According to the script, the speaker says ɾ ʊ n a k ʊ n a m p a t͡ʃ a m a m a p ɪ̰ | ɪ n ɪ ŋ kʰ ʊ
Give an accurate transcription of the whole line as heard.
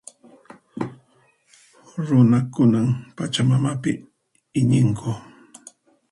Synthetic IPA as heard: ɾ ʊ n a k ʊ n a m p a t͡ʃ a m a m a p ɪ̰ | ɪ ɲ ɪ ŋ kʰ ʊ